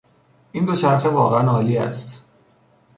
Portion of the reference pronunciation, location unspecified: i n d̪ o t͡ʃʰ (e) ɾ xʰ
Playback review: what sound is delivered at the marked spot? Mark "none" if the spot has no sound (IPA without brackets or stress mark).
æ